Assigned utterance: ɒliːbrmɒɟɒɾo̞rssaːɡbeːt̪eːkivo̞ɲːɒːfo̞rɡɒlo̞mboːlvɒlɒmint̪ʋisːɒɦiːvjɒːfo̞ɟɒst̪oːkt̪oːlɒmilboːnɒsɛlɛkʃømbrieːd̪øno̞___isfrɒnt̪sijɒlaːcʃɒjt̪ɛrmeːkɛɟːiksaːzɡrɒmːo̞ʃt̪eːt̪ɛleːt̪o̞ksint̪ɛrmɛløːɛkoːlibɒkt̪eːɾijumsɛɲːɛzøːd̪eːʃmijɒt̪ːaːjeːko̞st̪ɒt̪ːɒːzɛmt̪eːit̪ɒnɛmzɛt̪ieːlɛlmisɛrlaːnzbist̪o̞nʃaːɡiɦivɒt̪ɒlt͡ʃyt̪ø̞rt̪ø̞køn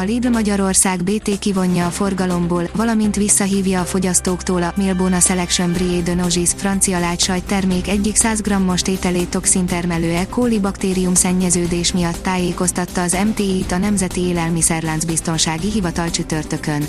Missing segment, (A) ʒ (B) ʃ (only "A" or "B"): A